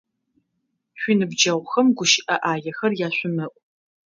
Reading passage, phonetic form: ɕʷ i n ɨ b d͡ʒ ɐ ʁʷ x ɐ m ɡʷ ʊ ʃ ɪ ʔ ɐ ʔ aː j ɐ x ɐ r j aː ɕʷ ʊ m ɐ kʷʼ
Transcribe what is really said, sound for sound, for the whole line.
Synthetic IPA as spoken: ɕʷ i n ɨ b d͡ʒ ɐ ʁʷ x ɐ m ɡʷ ʊ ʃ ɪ ʔ ɐ ʔ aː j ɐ x ɐ r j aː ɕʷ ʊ m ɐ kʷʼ